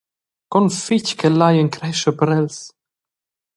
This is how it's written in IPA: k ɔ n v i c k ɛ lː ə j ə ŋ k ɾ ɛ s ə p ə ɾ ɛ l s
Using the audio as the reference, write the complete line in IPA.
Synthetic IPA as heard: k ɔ n f i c k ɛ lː a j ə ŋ k ɾ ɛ ʃ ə p ə ɾ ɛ l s